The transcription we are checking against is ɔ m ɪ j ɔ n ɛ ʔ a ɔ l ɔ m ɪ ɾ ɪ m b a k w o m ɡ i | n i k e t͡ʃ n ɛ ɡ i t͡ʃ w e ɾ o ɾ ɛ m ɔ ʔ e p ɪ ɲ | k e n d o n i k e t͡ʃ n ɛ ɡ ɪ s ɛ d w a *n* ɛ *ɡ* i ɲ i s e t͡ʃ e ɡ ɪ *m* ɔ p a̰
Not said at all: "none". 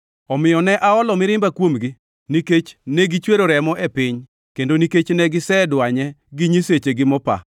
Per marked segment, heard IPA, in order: ɲ, ɡ, m

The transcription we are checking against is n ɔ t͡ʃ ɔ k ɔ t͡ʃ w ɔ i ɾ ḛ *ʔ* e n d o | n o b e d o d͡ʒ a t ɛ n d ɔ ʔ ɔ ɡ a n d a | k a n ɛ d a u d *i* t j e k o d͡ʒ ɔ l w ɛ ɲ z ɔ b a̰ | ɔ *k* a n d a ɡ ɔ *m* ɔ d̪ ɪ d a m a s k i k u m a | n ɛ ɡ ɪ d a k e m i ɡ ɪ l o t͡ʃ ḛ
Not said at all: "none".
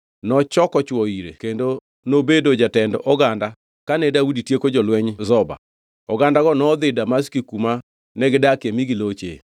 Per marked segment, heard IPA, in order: k, i, ɡ, n

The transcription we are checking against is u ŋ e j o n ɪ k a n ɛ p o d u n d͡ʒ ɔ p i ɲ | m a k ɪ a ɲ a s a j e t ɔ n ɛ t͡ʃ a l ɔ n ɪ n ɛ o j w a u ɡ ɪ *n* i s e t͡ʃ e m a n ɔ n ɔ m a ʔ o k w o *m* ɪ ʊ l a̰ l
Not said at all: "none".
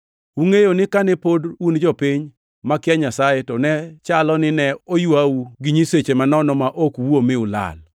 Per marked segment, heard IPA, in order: ɲ, m

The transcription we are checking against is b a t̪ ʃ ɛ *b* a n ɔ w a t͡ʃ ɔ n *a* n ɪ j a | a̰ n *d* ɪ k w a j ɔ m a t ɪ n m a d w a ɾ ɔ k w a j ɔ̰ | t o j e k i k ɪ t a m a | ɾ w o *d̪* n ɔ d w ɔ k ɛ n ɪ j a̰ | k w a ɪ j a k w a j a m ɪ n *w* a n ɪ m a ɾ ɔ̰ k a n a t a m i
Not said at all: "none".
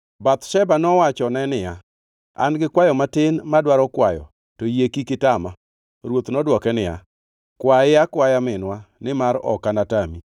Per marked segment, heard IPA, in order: b, ɛ, ɡ, t̪, w

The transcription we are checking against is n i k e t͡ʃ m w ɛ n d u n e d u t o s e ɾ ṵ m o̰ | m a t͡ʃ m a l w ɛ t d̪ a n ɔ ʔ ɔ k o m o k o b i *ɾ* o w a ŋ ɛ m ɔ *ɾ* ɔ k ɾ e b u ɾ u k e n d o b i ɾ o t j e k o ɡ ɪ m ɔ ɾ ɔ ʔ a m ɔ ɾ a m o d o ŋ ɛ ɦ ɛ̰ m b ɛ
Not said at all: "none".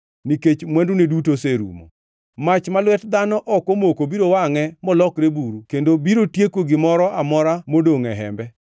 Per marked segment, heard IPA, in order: ɾ, l

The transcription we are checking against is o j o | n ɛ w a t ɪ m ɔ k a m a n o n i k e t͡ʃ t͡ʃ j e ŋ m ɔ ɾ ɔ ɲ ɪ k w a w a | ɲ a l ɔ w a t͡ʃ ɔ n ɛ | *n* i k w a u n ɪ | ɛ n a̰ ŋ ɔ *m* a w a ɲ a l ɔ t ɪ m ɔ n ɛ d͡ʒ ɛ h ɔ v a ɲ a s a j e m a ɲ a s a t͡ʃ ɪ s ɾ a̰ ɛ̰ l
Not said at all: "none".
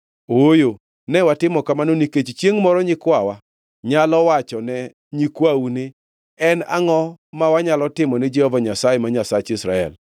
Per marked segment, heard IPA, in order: ɲ, m

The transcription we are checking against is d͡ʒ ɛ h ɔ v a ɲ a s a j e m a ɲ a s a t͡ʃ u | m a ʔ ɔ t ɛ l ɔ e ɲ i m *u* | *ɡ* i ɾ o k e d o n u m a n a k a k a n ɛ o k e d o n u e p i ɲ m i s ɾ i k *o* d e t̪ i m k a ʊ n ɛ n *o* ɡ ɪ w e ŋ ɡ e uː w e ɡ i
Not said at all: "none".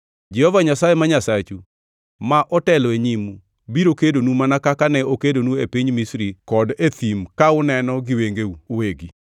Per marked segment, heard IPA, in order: u, b, ɔ, ɔ

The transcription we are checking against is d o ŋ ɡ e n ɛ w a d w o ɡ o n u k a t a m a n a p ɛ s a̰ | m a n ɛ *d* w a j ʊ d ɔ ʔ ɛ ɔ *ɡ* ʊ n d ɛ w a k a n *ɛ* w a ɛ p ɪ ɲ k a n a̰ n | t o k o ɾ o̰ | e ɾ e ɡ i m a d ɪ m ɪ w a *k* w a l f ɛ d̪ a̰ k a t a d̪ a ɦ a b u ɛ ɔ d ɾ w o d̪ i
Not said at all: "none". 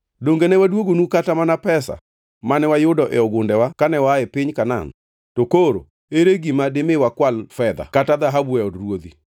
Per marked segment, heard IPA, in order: none, ɡ, ɛ, k

